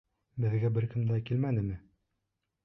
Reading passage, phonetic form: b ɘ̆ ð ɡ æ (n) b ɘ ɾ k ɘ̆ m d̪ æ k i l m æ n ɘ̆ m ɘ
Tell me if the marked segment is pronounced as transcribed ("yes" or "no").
no